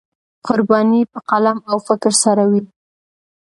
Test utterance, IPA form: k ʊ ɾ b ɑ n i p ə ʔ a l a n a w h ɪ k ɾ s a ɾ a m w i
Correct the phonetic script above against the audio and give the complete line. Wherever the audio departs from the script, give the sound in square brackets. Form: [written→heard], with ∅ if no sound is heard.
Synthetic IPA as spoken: [k→q] ʊ ɾ b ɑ n i p ə [ʔ→q] a l a [n→m] a w [h→f] ɪ k ɾ s a ɾ a [m→∅] w i